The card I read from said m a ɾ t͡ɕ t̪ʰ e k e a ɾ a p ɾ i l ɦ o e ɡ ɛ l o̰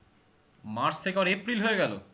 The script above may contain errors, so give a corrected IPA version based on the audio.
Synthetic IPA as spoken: m a ɾ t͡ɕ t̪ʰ e k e a ɾ e p ɾ i l ɦ o e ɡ ɛ l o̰